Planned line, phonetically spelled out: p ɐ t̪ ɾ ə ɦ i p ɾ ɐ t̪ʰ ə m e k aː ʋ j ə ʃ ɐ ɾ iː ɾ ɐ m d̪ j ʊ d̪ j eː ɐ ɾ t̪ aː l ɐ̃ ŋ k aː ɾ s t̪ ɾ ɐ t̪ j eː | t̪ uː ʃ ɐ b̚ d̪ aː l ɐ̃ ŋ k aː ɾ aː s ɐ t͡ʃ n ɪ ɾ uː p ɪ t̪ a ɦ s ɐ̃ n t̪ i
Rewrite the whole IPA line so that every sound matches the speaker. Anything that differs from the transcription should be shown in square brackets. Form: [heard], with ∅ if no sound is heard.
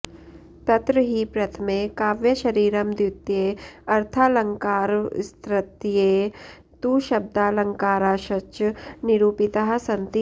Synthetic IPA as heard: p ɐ t̪ ɾ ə ɦ i p ɾ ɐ t̪ʰ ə m e k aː ʋ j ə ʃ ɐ ɾ iː ɾ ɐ m d̪ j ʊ [t̪] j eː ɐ ɾ [t̪ʰ] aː l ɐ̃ ŋ k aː ɾ s t̪ ɾ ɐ t̪ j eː | t̪ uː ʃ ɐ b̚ d̪ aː l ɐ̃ ŋ k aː ɾ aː [ʃ] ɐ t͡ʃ n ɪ ɾ uː p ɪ t̪ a ɦ s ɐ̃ n t̪ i